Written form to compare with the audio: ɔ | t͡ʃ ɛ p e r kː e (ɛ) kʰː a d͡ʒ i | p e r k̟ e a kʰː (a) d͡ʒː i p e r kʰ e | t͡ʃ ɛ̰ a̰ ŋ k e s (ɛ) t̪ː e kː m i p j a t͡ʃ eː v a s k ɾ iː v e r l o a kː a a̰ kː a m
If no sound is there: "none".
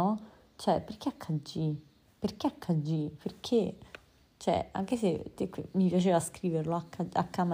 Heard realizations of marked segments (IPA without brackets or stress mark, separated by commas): a, a, e